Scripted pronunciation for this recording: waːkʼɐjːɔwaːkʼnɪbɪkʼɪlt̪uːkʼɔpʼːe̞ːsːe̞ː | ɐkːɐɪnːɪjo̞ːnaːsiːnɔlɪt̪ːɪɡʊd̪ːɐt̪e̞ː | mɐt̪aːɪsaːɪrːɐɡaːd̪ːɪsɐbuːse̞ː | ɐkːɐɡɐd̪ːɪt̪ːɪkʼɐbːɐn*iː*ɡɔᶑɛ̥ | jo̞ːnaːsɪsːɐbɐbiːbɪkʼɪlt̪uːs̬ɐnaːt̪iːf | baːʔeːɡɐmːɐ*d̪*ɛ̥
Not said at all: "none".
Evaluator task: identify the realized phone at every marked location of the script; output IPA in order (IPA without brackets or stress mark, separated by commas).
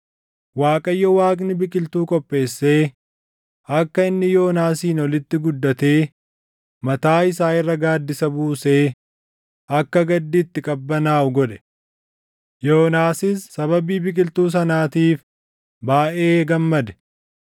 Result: aː, d̪